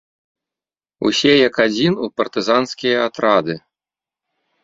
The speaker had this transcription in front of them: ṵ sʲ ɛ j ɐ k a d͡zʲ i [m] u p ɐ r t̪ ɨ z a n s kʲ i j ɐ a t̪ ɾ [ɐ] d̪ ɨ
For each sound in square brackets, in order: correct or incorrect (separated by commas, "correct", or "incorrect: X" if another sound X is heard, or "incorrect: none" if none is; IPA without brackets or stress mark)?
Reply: incorrect: n, incorrect: a